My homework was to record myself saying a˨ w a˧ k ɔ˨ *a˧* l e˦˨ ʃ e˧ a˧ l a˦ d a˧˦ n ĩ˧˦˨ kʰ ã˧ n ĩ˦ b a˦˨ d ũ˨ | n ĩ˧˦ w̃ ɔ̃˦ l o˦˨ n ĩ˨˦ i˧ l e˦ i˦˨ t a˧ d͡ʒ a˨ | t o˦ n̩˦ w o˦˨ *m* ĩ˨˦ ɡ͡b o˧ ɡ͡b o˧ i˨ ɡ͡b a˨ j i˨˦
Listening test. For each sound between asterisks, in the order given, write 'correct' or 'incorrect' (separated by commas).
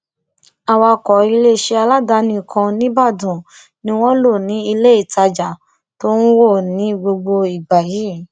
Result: incorrect, incorrect